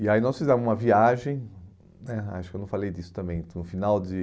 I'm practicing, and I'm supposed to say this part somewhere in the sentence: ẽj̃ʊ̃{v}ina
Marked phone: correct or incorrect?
incorrect